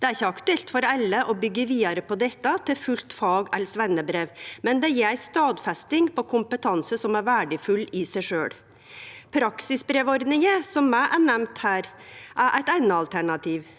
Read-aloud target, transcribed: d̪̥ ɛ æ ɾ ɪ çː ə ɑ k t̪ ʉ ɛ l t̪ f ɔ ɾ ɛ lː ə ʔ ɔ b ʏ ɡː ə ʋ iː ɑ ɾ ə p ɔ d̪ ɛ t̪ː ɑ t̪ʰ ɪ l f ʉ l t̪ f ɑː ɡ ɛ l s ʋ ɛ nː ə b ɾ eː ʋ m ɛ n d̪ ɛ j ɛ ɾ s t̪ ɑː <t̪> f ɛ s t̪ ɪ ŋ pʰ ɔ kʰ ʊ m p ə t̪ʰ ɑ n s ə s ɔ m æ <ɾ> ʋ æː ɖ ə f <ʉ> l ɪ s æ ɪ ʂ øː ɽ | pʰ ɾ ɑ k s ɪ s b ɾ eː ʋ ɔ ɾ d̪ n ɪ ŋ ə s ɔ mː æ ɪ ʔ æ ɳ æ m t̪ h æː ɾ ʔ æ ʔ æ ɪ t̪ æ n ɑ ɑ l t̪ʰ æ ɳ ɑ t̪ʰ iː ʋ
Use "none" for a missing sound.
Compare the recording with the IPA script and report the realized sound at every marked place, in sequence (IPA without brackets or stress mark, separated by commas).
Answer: d̪, ɾ, ʉ